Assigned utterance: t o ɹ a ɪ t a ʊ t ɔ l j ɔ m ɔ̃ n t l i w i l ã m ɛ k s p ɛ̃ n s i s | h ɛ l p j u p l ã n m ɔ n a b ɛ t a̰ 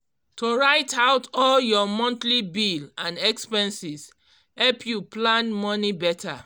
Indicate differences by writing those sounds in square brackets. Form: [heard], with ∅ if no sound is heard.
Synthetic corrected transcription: t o ɹ a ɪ t a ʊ t ɔ l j ɔ m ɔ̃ n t l i [b] i l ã [n] ɛ k s p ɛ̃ n s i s | h ɛ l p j u p l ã n m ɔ n [i] b ɛ t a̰